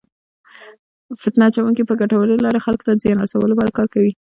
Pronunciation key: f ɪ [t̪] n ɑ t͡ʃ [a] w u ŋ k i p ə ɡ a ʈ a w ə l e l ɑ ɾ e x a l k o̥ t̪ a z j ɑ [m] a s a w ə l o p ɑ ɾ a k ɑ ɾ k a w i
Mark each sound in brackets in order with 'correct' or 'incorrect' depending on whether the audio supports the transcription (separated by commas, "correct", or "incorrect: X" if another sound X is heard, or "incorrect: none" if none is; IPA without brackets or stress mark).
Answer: correct, correct, incorrect: n